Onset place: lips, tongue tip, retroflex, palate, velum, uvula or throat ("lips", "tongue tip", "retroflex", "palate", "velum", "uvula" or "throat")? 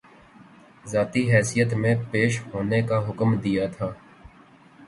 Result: tongue tip